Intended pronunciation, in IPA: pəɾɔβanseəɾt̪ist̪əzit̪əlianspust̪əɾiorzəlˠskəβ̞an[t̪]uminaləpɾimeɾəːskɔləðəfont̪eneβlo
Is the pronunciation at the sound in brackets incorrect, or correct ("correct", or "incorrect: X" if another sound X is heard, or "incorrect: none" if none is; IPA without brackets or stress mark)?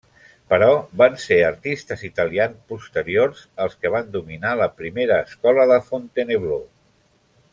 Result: incorrect: d̪